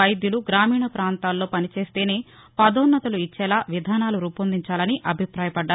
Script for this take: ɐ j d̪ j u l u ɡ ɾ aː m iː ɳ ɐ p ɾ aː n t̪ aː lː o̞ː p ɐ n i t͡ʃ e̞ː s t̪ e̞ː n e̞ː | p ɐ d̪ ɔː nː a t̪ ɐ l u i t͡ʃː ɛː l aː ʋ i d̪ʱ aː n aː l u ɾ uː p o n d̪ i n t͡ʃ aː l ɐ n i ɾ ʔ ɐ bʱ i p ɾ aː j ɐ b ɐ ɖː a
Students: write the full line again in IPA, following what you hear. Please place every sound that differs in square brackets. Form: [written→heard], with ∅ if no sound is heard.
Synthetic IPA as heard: ɐ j d̪ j u l u ɡ ɾ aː m iː ɳ ɐ p ɾ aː n t̪ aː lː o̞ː p ɐ n i t͡ʃ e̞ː s t̪ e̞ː n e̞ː | p ɐ d̪ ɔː nː [a→ɐ] t̪ ɐ l u i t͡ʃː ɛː l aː ʋ i d̪ʱ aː n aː l u ɾ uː p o n d̪ i [n→ɲ] t͡ʃ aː l ɐ n i [ɾ→∅] ʔ ɐ bʱ i p ɾ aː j ɐ [b→p] ɐ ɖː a

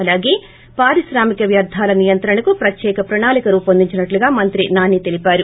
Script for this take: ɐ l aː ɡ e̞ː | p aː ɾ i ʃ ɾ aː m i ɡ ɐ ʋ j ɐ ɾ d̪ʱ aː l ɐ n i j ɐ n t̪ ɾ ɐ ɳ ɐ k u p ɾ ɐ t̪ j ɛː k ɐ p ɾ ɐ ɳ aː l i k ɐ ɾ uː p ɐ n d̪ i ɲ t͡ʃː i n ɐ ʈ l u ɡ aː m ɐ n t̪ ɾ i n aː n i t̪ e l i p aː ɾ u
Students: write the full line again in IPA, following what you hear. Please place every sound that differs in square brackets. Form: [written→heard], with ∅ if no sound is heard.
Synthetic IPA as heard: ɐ l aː ɡ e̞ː | p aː ɾ i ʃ ɾ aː m i [ɡ→k] ɐ ʋ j ɐ ɾ d̪ʱ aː l ɐ n i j ɐ n t̪ ɾ ɐ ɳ ɐ k u p ɾ ɐ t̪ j ɛː k ɐ p ɾ ɐ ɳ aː l i k ɐ ɾ uː p ɐ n d̪ i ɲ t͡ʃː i n ɐ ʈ l u ɡ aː m ɐ n t̪ ɾ i n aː n i t̪ e l i p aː ɾ u

